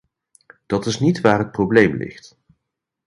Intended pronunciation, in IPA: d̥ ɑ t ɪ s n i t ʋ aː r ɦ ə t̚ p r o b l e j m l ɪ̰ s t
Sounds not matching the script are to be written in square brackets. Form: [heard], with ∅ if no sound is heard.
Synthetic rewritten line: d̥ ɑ t ɪ s n i t ʋ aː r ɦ ə t̚ p r o b l e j m l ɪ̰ [χ] t